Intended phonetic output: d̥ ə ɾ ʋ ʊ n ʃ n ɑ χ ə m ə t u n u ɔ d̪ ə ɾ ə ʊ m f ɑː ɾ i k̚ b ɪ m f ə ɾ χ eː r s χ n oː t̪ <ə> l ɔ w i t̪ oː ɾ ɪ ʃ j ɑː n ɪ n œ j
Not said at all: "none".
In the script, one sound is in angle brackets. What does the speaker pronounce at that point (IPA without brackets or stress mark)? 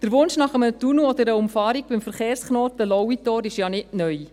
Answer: ə